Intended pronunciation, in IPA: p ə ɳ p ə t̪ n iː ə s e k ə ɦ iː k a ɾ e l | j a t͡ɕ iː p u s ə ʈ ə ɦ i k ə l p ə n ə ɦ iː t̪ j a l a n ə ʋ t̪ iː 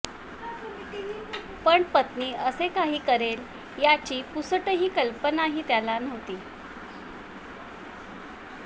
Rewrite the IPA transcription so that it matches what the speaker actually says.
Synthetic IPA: p ə ɳ p ə t̪ n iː ə s e k a ɦ iː k ə ɾ e l | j a t͡ɕ iː p u s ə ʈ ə ɦ iː k ə l p ə n a ɦ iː t̪ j a l a n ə ʋ t̪ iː